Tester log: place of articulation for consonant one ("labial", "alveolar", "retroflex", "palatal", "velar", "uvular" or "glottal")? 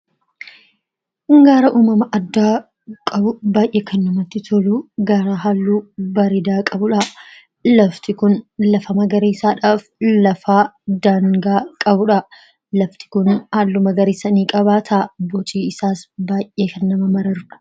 velar